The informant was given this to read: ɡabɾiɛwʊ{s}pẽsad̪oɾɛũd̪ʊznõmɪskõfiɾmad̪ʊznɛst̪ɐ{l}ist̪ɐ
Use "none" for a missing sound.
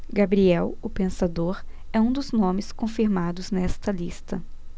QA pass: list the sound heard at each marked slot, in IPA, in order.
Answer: none, l

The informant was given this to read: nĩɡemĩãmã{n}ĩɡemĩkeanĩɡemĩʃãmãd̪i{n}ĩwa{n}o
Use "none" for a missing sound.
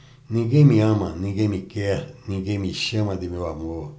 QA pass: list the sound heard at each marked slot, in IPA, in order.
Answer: n, m, m

